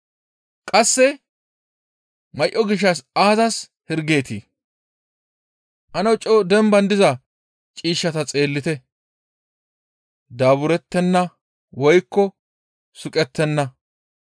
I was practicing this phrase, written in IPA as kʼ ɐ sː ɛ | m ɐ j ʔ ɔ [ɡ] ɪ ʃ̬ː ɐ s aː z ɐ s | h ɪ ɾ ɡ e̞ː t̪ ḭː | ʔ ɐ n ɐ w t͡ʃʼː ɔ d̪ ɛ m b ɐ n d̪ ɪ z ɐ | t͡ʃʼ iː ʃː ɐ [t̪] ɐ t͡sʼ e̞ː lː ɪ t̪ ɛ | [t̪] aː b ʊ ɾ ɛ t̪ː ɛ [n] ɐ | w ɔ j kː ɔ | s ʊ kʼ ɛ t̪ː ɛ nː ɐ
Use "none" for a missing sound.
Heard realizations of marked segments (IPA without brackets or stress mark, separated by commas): ɡ, t̪, d̪, nː